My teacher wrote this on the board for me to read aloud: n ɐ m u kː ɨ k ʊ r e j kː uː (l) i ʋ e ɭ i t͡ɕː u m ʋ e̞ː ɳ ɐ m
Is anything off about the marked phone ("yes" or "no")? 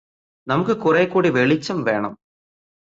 yes